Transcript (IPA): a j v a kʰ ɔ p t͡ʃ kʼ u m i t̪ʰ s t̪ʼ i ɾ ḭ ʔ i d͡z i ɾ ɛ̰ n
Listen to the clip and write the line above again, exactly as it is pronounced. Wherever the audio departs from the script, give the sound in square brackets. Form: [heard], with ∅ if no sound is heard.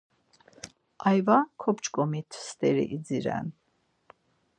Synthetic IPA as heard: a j v a kʰ ɔ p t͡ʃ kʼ [ɔ] m i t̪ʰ s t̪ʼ [ɛ] ɾ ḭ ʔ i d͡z i ɾ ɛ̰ n